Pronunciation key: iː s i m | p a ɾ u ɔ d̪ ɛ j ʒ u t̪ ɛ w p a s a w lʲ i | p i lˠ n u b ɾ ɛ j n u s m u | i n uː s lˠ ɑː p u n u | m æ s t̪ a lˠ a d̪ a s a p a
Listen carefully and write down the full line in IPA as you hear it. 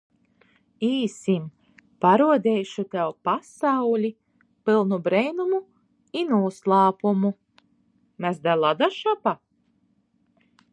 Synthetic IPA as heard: iː s i m | p a ɾ u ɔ d̪ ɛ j ʃ u t̪ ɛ w p a s a w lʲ i | p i lˠ n u b ɾ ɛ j n u m u | i n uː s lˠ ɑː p u m u | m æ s d̪ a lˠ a d̪ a ʃ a p a

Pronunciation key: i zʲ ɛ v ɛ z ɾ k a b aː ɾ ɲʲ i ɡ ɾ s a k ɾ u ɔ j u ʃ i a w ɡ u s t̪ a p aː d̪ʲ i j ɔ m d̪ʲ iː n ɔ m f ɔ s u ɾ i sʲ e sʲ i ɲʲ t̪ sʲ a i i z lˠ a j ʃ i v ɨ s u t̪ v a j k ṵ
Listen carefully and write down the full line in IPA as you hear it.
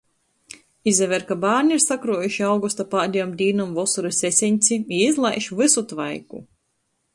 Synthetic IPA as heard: i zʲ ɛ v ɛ ɾ k a b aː ɾ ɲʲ i ɾ s a k ɾ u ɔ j u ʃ i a w ɡ u s t̪ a p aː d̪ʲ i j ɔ m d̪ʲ iː n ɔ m v ɔ s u ɾ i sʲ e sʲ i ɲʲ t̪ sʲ i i i z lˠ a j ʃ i v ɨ s u t̪ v a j k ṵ

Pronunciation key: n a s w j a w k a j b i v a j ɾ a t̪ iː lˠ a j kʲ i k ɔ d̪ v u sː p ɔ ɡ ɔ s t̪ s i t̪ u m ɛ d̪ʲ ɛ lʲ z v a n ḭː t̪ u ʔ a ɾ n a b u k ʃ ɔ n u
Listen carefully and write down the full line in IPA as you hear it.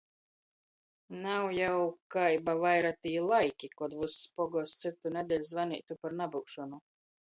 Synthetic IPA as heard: n a w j a w k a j b a v a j ɾ a t̪ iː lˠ a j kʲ i k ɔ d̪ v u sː p ɔ ɡ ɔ s t̪ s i t̪ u n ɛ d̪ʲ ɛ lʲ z v a n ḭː t̪ u p a ɾ n a b u k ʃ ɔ n u

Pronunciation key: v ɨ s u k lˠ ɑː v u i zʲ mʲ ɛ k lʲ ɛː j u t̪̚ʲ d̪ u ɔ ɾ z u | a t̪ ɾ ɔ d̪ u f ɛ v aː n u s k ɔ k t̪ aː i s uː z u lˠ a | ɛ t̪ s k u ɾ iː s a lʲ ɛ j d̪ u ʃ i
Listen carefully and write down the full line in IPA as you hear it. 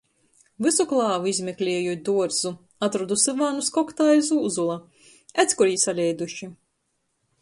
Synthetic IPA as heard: v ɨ s u k lˠ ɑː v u i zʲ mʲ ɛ k lʲ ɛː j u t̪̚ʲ d̪ u ɔ ɾ z u | a t̪ ɾ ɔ d̪ u s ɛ v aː n u s k ɔ k t̪ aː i z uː z u lˠ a | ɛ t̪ s k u ɾ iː s a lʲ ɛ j d̪ u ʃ i

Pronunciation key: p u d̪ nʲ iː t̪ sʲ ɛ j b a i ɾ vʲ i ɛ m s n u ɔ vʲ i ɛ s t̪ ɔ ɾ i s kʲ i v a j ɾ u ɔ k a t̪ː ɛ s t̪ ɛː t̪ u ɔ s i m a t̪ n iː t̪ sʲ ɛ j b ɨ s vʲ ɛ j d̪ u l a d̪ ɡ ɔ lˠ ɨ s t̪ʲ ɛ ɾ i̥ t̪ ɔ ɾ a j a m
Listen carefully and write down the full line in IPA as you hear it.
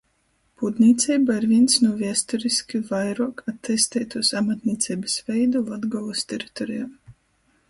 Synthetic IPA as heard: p u d̪ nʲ iː t̪ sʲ ɛ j b a i ɾ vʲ i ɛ n s n u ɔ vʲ i ɛ s t̪ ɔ ɾ i s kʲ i v a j ɾ u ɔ k a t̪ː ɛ s t̪ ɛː t̪ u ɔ s a m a t̪ n iː t̪ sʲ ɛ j b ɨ s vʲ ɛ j d̪ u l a d̪ ɡ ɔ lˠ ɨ s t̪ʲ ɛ ɾ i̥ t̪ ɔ ɾ i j a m

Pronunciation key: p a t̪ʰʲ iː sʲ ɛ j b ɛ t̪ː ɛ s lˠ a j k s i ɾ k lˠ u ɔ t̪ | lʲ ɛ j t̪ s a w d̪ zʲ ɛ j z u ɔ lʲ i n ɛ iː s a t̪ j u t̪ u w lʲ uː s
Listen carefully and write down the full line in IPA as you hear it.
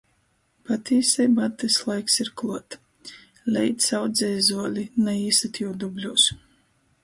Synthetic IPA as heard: p a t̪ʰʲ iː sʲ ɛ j b a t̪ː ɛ s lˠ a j k s i ɾ k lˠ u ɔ t̪ | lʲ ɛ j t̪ s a w d̪ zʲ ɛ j z u ɔ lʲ i n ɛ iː s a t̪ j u d̪ u b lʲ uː s

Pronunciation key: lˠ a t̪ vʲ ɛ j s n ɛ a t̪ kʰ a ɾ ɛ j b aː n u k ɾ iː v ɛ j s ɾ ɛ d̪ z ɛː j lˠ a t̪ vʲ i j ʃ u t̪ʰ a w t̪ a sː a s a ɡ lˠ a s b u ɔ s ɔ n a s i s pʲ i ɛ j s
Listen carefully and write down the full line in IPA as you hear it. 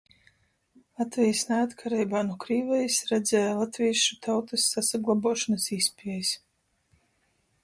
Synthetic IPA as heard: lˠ a t̪ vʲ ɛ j s n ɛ a t̪ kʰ a ɾ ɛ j b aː n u k ɾ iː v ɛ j s ɾ ɛ d̪ z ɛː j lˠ a t̪ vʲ i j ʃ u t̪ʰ a w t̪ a sː a s a ɡ lˠ a b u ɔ ʃ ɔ n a s i s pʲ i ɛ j s

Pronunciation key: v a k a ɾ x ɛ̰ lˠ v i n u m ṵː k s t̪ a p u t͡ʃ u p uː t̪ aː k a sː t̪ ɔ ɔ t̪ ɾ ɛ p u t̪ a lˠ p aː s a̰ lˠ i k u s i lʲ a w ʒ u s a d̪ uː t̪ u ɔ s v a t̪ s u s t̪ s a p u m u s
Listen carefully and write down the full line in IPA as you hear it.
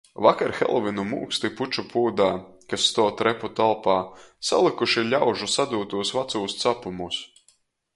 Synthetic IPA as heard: v a k a ɾ x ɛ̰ lˠ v i n u m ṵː k s t̪ i p u t͡ʃ u p uː d̪ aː k a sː t̪ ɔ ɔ t̪ ɾ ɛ p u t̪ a lˠ p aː s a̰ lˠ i k u ʃ i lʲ a w ʒ u s a d̪ uː t̪ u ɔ s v a t̪ s uː s t̪ s a p u m u s

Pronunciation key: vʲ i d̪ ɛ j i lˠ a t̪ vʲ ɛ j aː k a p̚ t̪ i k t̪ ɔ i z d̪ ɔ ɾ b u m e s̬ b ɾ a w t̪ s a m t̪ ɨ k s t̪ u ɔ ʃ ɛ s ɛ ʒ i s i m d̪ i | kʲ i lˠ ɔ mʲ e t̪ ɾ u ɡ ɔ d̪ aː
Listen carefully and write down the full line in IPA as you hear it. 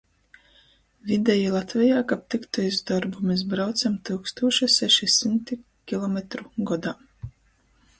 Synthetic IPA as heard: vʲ i d̪ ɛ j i lˠ a t̪ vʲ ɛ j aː k a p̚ t̪ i k t̪ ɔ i z d̪ ɔ ɾ b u m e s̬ b ɾ a w t̪ s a m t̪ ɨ k s t̪ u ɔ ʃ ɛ s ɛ ʃ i s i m t̪ i | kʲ i lˠ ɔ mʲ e t̪ ɾ u ɡ ɔ d̪ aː

